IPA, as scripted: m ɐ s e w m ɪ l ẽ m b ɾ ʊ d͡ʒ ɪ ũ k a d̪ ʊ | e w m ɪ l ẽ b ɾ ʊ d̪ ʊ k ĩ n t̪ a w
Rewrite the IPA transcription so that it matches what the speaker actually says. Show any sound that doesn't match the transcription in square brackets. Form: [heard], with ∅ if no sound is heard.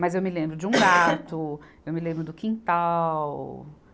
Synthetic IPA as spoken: m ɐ [z] e w m ɪ l ẽ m b ɾ ʊ d͡ʒ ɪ ũ [ɡ] a [t̪] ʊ | e w m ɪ l ẽ b ɾ ʊ d̪ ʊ k ĩ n t̪ a w